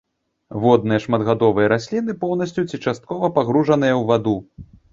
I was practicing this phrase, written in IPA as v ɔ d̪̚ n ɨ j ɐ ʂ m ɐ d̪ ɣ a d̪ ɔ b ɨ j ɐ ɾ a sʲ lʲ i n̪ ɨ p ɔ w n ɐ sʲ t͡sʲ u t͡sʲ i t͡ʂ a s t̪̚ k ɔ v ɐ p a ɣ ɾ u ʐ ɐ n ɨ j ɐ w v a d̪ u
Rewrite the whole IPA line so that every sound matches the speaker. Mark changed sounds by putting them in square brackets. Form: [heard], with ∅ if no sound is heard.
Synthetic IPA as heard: v ɔ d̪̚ n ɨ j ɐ ʂ m ɐ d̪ ɣ a d̪ ɔ [v] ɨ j ɐ ɾ a sʲ lʲ i n̪ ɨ p ɔ w n ɐ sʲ t͡sʲ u t͡sʲ i t͡ʂ a s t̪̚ k ɔ v ɐ p a ɣ ɾ u ʐ ɐ n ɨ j ɐ w v a d̪ u